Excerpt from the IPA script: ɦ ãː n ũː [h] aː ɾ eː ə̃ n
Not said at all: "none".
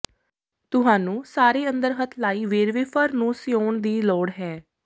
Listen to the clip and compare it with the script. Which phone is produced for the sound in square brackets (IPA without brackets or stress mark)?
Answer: s